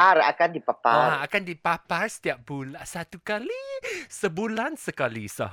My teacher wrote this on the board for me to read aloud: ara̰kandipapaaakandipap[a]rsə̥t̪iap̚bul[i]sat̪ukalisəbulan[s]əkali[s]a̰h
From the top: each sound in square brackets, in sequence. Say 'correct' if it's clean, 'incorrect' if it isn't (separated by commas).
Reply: correct, incorrect, correct, correct